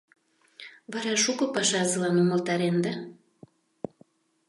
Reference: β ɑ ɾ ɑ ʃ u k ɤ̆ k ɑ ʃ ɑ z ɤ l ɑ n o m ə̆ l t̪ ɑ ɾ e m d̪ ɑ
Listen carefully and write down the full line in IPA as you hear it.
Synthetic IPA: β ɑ ɾ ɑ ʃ u k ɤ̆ p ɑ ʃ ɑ z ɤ l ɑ n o m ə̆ l t̪ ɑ ɾ e n d̪ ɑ